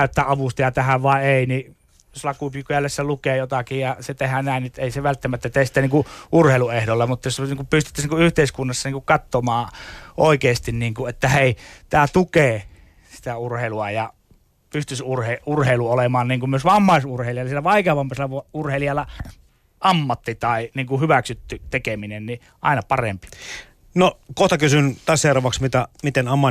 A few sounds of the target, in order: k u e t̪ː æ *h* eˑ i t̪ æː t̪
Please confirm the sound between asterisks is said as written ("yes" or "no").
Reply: yes